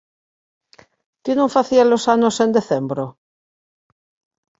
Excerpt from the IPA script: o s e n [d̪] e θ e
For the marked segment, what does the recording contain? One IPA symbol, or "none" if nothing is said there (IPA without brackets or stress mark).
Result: d̪